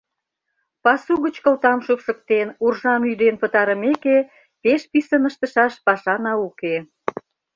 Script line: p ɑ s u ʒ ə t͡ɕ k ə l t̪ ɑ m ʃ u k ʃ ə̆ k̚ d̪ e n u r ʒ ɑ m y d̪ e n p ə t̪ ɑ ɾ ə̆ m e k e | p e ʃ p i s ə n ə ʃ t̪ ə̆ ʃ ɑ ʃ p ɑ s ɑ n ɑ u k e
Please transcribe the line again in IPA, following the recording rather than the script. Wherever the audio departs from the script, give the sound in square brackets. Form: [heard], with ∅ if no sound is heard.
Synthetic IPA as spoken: p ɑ s u [ɣ] ə t͡ɕ k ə l t̪ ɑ m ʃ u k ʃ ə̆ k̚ [t̪] e n u r ʒ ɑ m y d̪ e n p ə t̪ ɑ ɾ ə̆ m e k e | p e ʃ p i s ə n ə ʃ t̪ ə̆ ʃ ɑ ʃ p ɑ [ʃ] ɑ n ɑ u k e